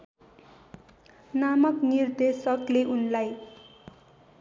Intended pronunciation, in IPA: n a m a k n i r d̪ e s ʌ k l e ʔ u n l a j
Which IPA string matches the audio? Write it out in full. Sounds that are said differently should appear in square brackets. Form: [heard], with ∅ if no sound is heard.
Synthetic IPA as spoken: n a m [ʌ] k n i r d̪ e s ʌ k l e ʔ u n l a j